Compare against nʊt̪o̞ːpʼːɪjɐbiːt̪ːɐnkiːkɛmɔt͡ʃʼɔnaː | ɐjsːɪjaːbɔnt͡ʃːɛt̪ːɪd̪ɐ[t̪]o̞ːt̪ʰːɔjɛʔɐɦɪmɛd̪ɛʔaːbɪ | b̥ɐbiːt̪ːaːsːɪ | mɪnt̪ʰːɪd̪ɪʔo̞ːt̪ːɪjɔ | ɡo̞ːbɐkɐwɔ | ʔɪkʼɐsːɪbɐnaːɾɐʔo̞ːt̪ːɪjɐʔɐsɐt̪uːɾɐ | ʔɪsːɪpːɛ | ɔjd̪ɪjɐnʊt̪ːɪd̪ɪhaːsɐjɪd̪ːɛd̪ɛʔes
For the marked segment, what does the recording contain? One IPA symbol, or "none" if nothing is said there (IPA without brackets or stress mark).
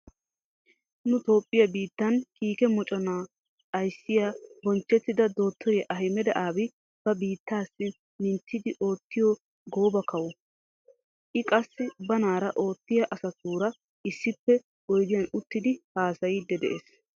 d̪